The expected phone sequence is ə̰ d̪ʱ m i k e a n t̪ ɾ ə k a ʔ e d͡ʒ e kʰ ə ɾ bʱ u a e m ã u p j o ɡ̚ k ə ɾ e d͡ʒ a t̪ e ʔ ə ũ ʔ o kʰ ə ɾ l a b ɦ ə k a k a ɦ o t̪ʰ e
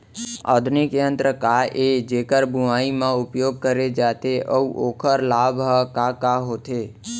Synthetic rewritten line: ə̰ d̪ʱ n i k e ə n t̪ ɾ ə k a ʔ e d͡ʒ e k ə ɾ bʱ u a i m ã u p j o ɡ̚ k ə ɾ e d͡ʒ a t̪ e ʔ ə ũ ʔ o kʰ ə ɾ l a b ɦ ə k a k a ɦ o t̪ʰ e

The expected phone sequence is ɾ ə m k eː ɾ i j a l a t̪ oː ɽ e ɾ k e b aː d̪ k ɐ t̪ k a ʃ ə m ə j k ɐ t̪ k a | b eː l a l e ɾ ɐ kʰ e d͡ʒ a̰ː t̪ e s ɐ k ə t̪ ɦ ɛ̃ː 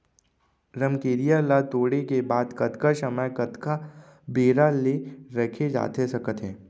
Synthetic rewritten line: ɾ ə m k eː ɾ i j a l a t̪ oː ɽ e k e b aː d̪ k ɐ t̪ k a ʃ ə m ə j k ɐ t̪ k a | b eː ɾ a l e ɾ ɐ kʰ e d͡ʒ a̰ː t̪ e s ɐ k ə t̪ ɦ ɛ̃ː

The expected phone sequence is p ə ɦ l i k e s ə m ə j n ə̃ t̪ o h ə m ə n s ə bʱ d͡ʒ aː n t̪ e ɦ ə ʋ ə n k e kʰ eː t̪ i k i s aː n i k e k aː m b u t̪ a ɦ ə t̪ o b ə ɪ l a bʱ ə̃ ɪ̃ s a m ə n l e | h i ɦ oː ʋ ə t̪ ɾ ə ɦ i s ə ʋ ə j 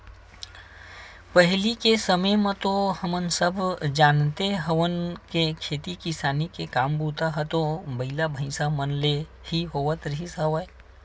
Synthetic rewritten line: p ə ɦ l i k e s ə m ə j m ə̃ t̪ o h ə m ə n s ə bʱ d͡ʒ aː n t̪ e ɦ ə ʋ ə n k e kʰ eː t̪ i k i s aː n i k e k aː m b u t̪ a ɦ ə t̪ o b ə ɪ l a bʱ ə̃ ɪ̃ s a m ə n l e | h i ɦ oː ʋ ə t̪ ɾ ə ɦ i s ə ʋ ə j

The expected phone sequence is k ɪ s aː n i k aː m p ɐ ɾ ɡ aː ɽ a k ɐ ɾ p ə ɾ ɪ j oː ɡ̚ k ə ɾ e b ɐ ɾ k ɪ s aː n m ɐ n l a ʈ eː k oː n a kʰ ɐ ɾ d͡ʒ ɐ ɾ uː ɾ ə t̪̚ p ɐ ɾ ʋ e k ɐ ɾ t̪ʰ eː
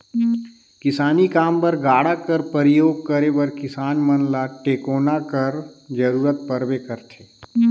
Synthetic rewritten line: k ɪ s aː n i k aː m p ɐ ɾ ɡ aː ɽ a k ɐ ɾ p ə ɾ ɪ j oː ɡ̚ k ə ɾ e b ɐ ɾ k ɪ s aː n m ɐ n l a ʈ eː k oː n a k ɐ ɾ d͡ʒ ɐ ɾ uː ɾ ə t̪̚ p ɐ ɾ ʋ e k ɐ ɾ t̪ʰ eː

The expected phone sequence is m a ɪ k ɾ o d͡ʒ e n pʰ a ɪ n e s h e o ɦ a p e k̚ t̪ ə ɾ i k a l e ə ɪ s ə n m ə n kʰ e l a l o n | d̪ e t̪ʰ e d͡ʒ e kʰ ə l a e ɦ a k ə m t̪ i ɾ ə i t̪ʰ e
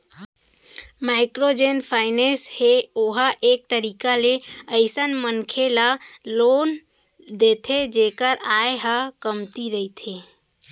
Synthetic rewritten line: m a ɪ k ɾ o d͡ʒ e n pʰ a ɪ n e s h e o ɦ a ʔ e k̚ t̪ ə ɾ i k a l e ə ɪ s ə n m ə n kʰ e l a l o n | d̪ e t̪ʰ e d͡ʒ e k ə ɾ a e ɦ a k ə m t̪ i ɾ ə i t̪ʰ e

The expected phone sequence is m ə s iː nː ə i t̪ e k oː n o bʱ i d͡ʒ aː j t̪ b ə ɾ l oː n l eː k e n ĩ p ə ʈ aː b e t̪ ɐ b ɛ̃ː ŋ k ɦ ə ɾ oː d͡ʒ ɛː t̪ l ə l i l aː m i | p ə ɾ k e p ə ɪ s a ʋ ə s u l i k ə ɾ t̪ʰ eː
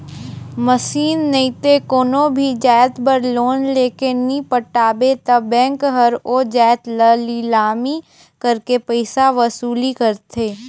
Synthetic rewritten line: m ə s iː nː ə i t̪ e k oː n o bʱ i d͡ʒ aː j t̪ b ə ɾ l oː n l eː k e n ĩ p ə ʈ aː b e t̪ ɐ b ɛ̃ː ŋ k ɦ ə ɾ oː d͡ʒ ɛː t̪ l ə l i l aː m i | k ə ɾ k e p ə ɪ s a ʋ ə s uː l i k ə ɾ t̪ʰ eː

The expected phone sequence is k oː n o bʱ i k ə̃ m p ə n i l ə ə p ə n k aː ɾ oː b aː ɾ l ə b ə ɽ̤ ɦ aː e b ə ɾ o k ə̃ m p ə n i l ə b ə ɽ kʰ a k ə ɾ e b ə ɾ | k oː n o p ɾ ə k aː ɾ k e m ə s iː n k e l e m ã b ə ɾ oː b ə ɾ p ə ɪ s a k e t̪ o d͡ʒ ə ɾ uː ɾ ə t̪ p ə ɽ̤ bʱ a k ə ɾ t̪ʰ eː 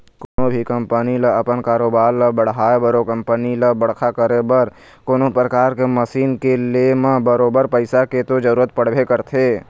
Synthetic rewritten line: k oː n o bʱ i k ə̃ m p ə n i l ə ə p ə n k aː ɾ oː b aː ɾ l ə b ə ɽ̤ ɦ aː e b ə ɾ o k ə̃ m p ə n i l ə b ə ɽ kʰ a k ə ɾ e b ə ɾ | k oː n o p ɾ ə k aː ɾ k e m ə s iː n k e l e m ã b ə ɾ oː b ə ɾ p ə ɪ s a k e t̪ o d͡ʒ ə ɾ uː ɾ ə t̪ p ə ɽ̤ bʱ e k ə ɾ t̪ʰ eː

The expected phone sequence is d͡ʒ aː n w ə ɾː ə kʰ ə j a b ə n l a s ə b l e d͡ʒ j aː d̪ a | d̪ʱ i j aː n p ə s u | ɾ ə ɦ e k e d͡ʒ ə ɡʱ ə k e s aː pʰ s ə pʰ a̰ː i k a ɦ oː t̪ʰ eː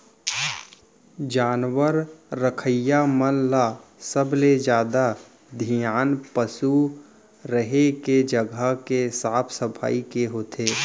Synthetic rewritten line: d͡ʒ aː n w ə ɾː ə kʰ ə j a m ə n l a s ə b l e d͡ʒ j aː d̪ a | d̪ʱ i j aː n p ə s u | ɾ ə ɦ e k e d͡ʒ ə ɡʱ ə k e s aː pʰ s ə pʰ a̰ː i k e ɦ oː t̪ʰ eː

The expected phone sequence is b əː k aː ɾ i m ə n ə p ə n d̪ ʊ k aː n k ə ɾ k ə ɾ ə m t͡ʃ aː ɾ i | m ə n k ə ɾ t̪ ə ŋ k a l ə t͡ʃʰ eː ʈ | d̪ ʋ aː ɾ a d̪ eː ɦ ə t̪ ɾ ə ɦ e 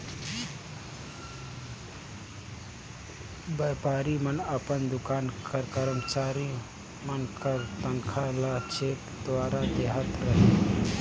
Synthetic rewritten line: b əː p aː ɾ i m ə n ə p ə n d̪ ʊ k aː n k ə ɾ k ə ɾ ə m t͡ʃ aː ɾ i | m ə n k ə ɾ t̪ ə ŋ kʰ a l a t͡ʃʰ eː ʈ | d̪ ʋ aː ɾ a d̪ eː ɦ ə t̪ ɾ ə ɦ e

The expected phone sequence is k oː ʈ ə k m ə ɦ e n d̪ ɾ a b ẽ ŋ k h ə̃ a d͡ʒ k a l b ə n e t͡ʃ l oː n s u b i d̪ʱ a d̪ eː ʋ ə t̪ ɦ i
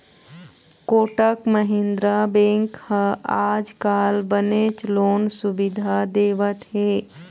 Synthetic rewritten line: k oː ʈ ə k m ə ɦ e n d̪ ɾ a b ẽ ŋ k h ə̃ a d͡ʒ k a l b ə n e t͡ʃ l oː n s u b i d̪ʱ a d̪ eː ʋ ə t̪ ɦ e

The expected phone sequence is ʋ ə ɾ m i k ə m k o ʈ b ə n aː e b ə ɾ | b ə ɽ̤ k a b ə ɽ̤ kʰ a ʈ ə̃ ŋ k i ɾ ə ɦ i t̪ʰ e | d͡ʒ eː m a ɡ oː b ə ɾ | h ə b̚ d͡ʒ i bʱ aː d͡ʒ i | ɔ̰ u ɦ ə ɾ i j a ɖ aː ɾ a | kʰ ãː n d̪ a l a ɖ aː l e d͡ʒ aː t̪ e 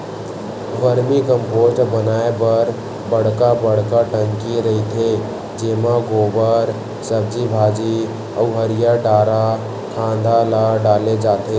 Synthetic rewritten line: ʋ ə ɾ m i k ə m p o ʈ b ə n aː e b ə ɾ | b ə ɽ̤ k a b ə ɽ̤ k a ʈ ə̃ ŋ k i ɾ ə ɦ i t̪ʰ e | d͡ʒ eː m a ɡ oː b ə ɾ | s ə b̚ d͡ʒ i bʱ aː d͡ʒ i | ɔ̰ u ɦ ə ɾ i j a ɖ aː ɾ a | kʰ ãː n d̪ a l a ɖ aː l e d͡ʒ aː t̪ e

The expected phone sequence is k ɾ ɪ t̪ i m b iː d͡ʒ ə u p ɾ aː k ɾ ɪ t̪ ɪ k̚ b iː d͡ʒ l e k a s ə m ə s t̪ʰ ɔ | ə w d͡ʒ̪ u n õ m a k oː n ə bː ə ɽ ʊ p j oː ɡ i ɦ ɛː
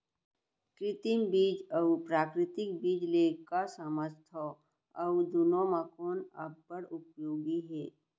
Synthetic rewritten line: k ɾ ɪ t̪ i m b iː d͡ʒ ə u p ɾ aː k ɾ ɪ t̪ ɪ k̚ b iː d͡ʒ l e k a s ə m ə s t̪ʰ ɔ | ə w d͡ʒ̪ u n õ m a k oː n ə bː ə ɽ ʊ p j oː ɡ i ɦ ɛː

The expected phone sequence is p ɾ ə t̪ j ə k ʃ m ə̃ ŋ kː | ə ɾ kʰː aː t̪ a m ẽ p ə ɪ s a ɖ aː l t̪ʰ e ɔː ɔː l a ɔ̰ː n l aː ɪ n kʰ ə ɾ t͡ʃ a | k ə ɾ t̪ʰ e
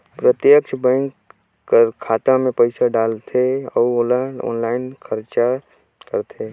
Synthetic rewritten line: p ɾ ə t̪ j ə k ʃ b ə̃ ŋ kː | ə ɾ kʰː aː t̪ a m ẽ p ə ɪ s a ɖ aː l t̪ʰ e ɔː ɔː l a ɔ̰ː n l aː ɪ n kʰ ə ɾ t͡ʃ a | k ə ɾ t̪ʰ e

